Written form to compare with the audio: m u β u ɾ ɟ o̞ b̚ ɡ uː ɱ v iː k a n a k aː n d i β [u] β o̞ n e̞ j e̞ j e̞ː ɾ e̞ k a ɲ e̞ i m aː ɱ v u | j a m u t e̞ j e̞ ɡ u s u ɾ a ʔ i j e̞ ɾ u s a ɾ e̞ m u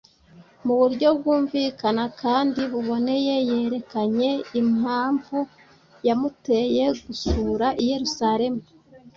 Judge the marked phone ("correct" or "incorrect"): correct